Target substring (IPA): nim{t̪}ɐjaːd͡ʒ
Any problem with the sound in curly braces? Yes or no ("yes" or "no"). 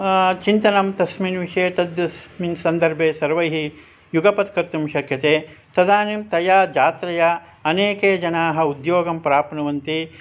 no